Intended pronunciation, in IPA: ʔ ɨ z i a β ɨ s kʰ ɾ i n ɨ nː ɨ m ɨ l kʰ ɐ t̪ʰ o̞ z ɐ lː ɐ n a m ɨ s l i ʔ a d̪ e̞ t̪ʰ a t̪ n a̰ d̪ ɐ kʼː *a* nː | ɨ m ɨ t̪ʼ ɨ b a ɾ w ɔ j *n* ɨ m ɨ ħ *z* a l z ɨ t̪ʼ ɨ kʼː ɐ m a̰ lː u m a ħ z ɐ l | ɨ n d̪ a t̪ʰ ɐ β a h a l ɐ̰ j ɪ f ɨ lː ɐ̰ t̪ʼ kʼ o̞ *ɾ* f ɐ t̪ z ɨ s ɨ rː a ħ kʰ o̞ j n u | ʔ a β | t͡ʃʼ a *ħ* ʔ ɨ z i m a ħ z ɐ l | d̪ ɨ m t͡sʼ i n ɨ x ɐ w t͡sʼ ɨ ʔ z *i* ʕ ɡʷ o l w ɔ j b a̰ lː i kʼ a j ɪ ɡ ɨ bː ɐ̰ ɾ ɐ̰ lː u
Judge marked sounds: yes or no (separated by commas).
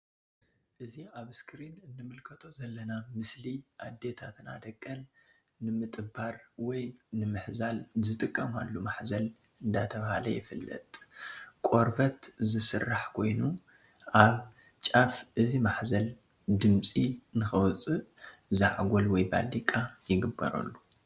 no, yes, yes, yes, no, no